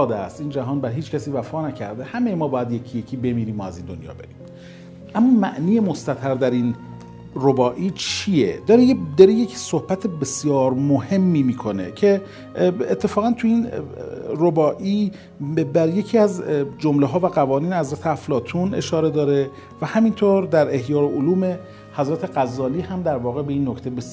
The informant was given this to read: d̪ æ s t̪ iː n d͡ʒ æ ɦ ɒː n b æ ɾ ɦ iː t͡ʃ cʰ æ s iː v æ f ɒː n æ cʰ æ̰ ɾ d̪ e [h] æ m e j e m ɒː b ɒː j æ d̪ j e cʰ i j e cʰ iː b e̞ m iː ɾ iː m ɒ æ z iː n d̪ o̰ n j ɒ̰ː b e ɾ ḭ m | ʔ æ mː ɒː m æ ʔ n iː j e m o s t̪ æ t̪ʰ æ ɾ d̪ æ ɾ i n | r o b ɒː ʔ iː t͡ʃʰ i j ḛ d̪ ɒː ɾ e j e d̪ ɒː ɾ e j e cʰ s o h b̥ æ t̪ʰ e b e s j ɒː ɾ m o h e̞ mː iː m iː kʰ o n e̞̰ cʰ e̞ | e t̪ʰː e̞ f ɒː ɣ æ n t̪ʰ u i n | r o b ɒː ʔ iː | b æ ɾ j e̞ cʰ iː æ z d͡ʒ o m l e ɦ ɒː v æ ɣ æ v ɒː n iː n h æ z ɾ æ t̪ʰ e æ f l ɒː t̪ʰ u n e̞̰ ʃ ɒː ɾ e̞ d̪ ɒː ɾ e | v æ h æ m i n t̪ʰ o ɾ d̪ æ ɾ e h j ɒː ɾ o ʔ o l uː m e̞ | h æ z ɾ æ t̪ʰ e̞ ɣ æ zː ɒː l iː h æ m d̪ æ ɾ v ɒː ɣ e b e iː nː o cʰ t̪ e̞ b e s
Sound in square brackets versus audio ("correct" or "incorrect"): correct